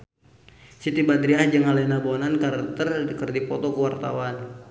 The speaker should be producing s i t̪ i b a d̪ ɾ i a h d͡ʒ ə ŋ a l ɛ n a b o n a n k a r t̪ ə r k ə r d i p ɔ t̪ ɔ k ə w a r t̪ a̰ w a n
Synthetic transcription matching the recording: s i t̪ i b a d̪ ɾ i a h d͡ʒ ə ŋ a l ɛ n a b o n a n k a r t̪ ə r k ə r d i p ɔ t̪ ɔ k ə w a r t̪ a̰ w a n